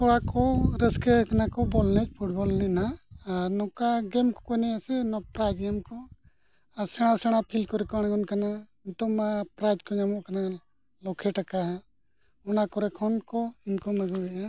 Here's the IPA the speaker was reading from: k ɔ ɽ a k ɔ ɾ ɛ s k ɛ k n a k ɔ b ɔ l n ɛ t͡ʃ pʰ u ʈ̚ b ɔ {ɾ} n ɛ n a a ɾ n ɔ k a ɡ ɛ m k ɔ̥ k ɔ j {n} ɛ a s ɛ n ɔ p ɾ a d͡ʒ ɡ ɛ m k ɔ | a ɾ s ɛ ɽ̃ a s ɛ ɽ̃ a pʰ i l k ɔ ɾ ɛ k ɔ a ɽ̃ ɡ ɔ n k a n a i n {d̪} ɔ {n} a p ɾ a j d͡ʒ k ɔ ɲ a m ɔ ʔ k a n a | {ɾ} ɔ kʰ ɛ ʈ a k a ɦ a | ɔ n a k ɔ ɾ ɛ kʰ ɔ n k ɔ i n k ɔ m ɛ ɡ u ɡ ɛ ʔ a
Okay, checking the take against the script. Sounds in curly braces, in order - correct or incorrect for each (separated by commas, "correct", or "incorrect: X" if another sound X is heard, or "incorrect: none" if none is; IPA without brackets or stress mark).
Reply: incorrect: l, correct, incorrect: t̪, incorrect: m, incorrect: l